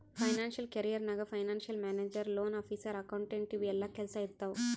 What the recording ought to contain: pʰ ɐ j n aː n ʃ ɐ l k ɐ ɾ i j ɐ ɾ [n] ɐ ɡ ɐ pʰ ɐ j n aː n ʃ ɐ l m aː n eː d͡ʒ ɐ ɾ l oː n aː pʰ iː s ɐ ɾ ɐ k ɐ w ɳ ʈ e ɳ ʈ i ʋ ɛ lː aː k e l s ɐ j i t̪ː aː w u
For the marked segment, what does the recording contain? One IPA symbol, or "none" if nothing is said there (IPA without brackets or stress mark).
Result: n